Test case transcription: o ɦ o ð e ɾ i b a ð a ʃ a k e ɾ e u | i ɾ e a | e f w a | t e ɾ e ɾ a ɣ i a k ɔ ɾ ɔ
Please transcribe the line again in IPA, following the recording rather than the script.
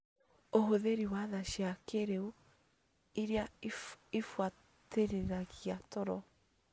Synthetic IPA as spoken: o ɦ o ð e ɾ i w a ð a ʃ a k e ɾ e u | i ɾ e a | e f w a | t e ɾ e ɾ a ɣ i a t ɔ ɾ ɔ